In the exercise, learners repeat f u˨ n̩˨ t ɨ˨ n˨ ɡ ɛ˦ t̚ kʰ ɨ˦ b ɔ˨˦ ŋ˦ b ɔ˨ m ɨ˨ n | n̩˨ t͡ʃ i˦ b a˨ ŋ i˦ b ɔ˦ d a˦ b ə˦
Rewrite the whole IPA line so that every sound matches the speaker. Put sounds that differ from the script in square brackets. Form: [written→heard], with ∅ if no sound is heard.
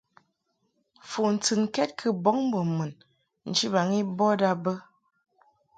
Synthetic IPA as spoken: f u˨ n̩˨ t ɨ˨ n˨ [ɡ→k] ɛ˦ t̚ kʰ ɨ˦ b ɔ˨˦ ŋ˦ b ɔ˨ m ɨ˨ n | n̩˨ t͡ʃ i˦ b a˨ ŋ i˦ b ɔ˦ d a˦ b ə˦